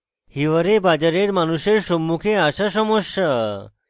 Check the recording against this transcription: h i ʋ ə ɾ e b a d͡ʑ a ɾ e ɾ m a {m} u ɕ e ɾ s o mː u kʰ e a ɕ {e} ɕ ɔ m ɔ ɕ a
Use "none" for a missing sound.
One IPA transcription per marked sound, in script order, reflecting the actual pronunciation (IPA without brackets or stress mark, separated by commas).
n, a